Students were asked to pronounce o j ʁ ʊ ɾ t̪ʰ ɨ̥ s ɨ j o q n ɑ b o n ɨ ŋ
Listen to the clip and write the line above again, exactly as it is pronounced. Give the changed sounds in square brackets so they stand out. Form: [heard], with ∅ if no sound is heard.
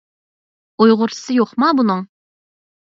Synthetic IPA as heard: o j ʁ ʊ ɾ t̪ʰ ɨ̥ s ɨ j o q [m] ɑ b [u] n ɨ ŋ